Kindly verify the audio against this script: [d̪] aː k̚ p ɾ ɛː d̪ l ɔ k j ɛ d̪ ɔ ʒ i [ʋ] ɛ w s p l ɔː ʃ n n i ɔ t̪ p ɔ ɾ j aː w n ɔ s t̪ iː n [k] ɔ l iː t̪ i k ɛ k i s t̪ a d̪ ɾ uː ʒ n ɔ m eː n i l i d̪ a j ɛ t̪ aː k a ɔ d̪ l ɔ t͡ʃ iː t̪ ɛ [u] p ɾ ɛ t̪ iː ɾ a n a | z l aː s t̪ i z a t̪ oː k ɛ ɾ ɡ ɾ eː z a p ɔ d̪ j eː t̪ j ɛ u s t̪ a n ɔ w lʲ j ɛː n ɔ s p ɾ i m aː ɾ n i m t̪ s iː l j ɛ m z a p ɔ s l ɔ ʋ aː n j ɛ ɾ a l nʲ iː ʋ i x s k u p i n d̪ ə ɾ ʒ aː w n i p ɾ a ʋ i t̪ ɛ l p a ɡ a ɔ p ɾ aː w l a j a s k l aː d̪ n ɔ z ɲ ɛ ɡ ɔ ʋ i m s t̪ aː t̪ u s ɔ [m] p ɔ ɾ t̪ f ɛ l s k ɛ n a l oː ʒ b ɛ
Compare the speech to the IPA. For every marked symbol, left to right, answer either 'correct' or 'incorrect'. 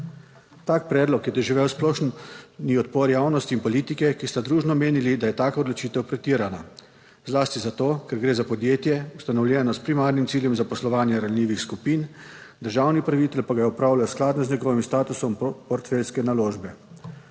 incorrect, correct, incorrect, incorrect, correct

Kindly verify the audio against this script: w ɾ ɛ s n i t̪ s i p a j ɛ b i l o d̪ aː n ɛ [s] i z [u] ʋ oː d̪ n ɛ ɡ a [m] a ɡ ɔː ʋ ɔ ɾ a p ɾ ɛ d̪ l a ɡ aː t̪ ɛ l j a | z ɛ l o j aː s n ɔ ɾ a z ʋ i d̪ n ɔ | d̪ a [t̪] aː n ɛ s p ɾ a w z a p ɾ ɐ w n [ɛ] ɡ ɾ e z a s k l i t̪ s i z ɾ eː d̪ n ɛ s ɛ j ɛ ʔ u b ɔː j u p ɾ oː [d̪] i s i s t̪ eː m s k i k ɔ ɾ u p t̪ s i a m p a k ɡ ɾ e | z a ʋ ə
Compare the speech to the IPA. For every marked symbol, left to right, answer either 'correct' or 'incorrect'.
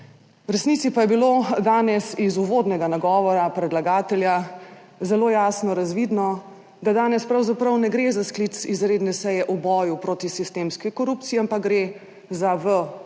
correct, correct, incorrect, incorrect, correct, incorrect

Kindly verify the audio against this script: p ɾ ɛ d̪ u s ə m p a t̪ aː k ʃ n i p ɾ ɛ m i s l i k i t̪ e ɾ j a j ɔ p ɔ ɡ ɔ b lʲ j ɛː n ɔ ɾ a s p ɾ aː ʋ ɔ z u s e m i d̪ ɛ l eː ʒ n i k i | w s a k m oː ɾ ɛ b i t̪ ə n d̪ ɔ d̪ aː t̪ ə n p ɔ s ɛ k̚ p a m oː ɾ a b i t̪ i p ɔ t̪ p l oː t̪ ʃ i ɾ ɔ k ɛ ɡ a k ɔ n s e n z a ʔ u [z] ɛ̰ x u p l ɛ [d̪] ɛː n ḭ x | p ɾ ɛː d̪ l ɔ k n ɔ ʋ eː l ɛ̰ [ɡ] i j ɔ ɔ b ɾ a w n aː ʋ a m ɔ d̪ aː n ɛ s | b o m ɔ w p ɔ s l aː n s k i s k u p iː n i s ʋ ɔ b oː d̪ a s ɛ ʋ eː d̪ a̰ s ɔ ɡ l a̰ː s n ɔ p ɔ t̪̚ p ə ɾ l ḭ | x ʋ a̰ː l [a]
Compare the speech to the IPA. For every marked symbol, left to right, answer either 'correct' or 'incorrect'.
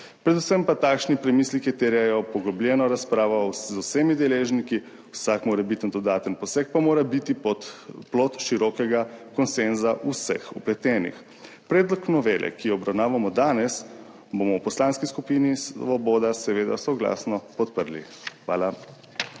incorrect, incorrect, incorrect, correct

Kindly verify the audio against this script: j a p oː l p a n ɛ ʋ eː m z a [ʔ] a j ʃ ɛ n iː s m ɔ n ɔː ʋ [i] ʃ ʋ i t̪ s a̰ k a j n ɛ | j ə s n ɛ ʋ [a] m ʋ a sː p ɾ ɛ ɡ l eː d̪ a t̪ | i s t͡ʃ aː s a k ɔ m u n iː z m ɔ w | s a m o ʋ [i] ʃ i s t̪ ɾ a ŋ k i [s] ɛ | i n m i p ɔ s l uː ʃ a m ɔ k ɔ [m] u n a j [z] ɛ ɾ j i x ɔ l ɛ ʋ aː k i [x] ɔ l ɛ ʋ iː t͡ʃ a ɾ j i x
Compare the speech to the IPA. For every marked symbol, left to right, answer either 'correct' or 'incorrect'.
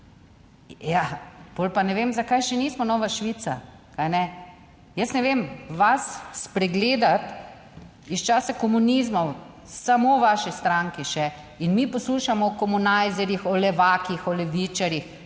incorrect, incorrect, incorrect, incorrect, incorrect, correct, correct, correct

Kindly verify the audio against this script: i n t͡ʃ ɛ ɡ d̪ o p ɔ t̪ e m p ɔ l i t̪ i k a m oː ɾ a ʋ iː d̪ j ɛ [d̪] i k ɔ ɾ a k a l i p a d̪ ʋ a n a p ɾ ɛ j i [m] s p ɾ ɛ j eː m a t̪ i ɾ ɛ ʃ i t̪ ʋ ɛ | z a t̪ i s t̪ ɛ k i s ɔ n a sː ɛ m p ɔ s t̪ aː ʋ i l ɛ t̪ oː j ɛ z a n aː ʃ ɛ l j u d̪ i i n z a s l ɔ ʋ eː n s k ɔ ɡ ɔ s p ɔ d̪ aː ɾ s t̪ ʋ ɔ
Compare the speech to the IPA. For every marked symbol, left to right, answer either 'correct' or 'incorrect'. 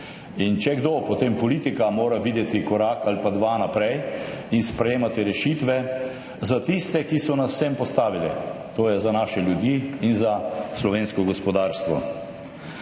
incorrect, incorrect

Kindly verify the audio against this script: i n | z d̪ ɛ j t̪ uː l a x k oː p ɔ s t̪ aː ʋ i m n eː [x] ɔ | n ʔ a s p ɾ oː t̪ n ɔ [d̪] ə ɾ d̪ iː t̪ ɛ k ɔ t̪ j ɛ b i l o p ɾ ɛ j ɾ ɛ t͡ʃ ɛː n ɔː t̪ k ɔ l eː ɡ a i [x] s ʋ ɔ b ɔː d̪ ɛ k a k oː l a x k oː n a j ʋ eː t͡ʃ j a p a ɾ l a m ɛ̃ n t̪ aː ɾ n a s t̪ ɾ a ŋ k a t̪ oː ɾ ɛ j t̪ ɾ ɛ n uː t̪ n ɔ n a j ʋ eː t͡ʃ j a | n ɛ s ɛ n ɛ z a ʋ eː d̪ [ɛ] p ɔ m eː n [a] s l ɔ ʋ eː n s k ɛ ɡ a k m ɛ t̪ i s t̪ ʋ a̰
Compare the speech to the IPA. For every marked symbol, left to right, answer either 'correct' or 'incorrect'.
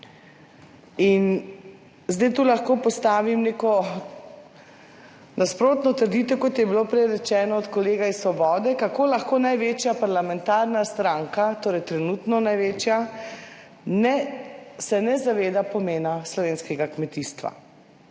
incorrect, incorrect, incorrect, incorrect, correct

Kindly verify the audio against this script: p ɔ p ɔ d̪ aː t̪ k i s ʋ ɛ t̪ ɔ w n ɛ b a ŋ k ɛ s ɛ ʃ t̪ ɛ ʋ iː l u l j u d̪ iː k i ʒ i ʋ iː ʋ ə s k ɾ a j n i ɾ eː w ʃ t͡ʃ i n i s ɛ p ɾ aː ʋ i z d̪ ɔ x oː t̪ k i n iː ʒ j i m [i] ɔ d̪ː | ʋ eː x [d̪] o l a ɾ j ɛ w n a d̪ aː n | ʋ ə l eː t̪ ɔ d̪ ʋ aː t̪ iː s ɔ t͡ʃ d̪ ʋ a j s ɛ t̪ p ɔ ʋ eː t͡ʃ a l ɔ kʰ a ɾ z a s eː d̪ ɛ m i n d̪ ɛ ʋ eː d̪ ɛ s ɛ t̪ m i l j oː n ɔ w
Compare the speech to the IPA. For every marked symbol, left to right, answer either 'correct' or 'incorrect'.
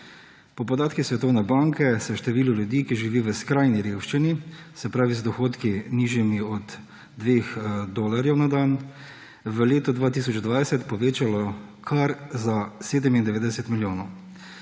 correct, correct

